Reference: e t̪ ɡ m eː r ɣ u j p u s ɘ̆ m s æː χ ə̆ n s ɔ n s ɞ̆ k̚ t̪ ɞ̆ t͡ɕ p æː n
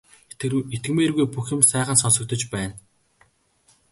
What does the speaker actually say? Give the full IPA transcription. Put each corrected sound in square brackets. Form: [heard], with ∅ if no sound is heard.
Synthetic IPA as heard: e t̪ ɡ m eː r ɣ u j p u [x] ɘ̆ m s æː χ ə̆ n s ɔ n s ɞ̆ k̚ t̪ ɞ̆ t͡ɕ p æː n